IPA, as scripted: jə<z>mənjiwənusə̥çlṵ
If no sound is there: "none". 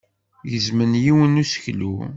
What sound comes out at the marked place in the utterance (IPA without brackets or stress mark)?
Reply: z